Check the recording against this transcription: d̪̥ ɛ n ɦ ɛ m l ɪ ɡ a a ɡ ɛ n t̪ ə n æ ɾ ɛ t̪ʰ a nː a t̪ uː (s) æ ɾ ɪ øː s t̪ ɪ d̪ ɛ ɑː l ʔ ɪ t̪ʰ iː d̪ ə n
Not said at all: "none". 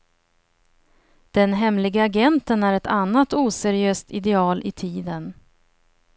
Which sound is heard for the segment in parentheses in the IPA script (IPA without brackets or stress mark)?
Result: s